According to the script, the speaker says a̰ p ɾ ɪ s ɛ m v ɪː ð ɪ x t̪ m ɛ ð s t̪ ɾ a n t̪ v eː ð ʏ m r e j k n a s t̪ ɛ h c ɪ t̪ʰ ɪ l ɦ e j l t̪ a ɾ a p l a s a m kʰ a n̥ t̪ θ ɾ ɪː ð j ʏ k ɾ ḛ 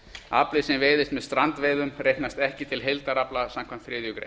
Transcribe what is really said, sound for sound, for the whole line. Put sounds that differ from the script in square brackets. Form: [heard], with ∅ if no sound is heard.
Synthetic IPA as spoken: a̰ p [l] ɪ s ɛ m v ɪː ð ɪ [s] t̪ m ɛ ð s t̪ ɾ a n t̪ v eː ð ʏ m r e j k n a s t̪ ɛ h c ɪ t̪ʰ ɪ l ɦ e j l t̪ a ɾ a p l a s a m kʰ a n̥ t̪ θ ɾ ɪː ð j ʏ k ɾ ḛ